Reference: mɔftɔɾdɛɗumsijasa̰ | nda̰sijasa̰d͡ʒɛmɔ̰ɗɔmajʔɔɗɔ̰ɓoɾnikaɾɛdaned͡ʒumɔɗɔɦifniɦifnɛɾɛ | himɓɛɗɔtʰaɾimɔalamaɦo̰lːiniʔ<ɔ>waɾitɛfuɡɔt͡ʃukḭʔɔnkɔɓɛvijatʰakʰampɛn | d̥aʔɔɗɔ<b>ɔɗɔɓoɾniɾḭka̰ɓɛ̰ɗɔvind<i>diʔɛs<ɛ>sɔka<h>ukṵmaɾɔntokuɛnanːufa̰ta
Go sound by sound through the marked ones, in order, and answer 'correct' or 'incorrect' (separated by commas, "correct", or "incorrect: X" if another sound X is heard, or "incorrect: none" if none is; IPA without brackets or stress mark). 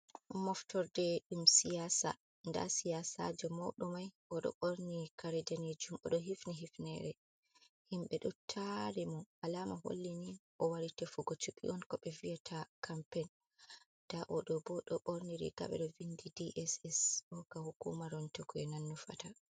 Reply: correct, correct, correct, correct, correct